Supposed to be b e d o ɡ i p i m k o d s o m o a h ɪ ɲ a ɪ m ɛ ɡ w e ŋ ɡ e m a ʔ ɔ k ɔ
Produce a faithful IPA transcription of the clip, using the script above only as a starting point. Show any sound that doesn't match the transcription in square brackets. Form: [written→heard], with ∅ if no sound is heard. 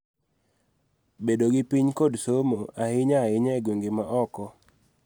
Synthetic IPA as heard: b e d o ɡ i p i [m→ɲ] k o d s o m o a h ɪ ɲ a ɪ [m→ɲ] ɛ ɡ w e ŋ ɡ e m a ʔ ɔ k ɔ

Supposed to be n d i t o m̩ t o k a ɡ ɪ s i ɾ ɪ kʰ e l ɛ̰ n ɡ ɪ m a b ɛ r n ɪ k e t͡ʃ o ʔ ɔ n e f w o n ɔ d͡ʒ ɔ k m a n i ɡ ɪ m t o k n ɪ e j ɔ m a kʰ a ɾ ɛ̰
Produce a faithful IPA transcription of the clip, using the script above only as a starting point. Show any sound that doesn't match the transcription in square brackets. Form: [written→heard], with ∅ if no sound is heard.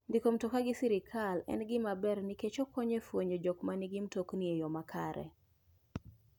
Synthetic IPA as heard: n d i [t→k] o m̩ t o k a ɡ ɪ s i ɾ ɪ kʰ [e→a] l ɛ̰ n ɡ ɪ m a b ɛ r n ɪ k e t͡ʃ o [ʔ→k] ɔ [n→ɲ] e f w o [n→ɲ] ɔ d͡ʒ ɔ k m a n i ɡ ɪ m t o k n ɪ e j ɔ m a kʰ a ɾ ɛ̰

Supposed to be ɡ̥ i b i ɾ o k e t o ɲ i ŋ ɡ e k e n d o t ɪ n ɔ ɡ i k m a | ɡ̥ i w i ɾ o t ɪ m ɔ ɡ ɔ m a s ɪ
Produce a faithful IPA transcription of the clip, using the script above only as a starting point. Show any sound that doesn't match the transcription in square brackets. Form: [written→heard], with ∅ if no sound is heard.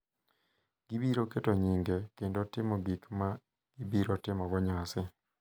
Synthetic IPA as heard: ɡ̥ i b i ɾ o k e t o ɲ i ŋ ɡ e k e n d o t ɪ [n→m] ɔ ɡ i k m a | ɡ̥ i [w→b] i ɾ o t ɪ m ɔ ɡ ɔ [m→ɲ] a s ɪ

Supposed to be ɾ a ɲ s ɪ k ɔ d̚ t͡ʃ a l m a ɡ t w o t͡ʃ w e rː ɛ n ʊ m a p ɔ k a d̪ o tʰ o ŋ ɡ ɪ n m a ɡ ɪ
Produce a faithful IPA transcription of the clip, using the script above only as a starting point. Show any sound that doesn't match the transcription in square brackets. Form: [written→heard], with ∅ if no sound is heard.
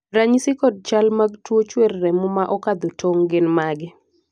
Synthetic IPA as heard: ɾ a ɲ s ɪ k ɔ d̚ t͡ʃ a l m a ɡ t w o t͡ʃ w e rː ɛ [n→m] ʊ m a [p→ʔ] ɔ k a d̪ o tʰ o ŋ ɡ ɪ n m a ɡ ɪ

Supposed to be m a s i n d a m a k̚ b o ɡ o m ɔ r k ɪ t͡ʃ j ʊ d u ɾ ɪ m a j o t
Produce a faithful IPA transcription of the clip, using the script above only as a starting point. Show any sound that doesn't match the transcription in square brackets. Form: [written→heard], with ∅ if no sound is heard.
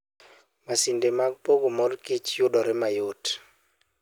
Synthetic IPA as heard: m a s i n d [a→e] m a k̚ [b→p] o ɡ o m ɔ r k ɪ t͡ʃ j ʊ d [u→ɔ] ɾ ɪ m a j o t

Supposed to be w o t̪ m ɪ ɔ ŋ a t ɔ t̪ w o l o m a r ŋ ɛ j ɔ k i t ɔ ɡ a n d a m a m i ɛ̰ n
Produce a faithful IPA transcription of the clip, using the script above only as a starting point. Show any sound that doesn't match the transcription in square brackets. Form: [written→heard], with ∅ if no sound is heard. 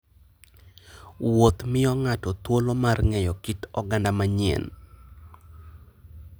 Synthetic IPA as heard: w o t̪ m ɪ ɔ ŋ a t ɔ t̪ w o l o m a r ŋ ɛ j ɔ k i t ɔ ɡ a n d a m a [m→ɲ] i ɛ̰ n

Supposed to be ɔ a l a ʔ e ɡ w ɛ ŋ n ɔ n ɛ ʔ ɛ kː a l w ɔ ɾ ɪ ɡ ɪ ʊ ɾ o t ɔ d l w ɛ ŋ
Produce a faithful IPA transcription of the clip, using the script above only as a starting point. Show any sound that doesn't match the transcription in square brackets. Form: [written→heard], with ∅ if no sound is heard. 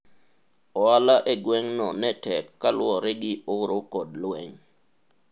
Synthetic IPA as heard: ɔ a l a ʔ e ɡ w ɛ ŋ n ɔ n ɛ [ʔ→t] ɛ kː a l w ɔ ɾ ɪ ɡ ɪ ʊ ɾ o [t→k] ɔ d l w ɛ ŋ

